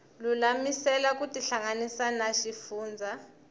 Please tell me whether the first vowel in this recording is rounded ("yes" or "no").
yes